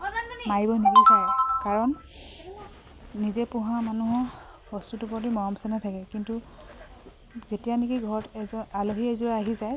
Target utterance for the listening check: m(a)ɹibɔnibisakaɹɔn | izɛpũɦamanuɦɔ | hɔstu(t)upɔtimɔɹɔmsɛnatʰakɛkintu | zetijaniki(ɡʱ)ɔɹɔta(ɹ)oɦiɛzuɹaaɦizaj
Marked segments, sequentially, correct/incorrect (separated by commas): correct, correct, correct, incorrect